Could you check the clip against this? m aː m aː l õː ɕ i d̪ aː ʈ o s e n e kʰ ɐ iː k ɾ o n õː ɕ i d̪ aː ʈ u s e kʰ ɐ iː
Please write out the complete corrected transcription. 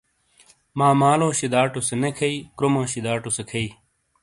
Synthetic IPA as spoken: m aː m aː l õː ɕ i d̪ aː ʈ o s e n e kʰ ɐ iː k ɾ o m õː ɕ i d̪ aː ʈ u s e kʰ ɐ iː